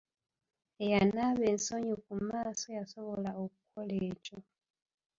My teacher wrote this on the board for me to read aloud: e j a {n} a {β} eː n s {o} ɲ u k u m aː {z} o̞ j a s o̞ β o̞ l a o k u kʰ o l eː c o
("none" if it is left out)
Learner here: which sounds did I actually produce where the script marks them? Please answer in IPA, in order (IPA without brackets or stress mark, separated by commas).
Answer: n, β, o, s